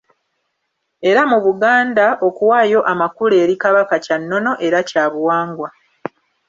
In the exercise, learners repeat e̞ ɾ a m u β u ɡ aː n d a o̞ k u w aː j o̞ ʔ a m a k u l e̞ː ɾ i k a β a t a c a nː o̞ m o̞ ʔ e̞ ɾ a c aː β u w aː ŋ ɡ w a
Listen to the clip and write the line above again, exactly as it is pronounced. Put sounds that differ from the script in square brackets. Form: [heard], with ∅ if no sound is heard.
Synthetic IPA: e̞ ɾ a m u β u ɡ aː n d a o̞ k u w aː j o̞ ʔ a m a k u l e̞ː ɾ i k a β a [k] a c a nː o̞ [n] o̞ ʔ e̞ ɾ a c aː β u w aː ŋ ɡ w a